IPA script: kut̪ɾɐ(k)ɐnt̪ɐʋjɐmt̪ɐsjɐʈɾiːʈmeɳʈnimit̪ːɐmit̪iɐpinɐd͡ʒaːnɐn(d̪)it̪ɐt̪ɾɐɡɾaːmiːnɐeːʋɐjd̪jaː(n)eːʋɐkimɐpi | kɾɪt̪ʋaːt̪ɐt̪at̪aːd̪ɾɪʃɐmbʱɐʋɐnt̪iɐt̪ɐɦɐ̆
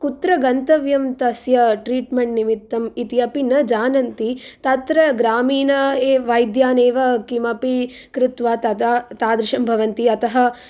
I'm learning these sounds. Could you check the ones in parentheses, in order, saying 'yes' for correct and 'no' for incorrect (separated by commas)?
no, no, yes